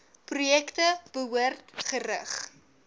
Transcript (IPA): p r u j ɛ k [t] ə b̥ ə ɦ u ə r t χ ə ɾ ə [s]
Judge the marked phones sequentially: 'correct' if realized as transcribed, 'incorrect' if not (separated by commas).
correct, incorrect